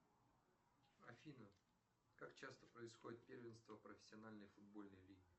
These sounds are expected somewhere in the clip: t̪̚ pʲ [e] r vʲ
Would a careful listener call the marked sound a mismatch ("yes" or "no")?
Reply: no